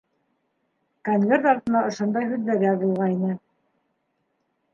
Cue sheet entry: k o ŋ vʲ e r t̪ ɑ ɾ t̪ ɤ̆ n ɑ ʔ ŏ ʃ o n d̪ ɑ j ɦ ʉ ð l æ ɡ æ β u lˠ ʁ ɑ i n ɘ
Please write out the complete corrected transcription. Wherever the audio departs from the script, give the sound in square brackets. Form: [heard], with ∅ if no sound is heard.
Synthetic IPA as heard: k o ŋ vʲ e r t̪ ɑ ɾ t̪ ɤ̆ n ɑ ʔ ŏ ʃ o n d̪ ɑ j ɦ ʉ ð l æ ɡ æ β u lˠ ʁ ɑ i n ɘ